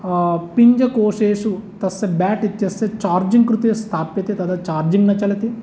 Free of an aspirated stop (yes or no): no